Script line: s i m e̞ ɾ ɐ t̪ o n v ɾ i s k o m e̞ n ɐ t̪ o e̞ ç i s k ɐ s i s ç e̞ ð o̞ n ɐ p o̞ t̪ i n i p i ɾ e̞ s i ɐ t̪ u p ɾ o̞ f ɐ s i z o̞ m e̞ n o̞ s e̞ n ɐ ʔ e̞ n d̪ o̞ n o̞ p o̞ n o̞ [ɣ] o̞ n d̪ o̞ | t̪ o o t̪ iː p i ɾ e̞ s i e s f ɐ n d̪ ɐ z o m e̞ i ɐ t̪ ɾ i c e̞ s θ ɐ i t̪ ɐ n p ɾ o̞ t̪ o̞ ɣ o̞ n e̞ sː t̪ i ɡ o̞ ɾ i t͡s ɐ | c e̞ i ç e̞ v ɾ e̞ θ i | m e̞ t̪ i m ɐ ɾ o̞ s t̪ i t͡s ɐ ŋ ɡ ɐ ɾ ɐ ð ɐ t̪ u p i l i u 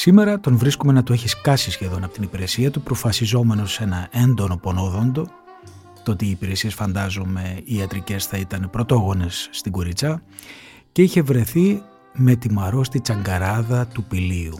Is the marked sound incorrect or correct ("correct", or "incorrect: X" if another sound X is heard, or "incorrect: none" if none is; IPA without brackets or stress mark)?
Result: incorrect: ð